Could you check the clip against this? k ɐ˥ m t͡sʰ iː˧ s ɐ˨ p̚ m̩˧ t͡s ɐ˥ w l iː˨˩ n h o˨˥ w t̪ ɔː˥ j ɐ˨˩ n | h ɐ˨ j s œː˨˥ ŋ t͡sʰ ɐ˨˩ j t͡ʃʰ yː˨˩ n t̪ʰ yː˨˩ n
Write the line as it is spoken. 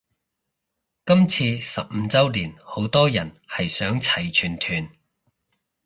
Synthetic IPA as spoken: k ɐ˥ m t͡sʰ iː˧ s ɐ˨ p̚ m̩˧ t͡s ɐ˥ w l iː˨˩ n h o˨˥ w t̪ ɔː˥ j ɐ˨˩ n | h ɐ˨ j s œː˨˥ ŋ t͡sʰ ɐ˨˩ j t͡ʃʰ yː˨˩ n t̪ʰ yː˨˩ n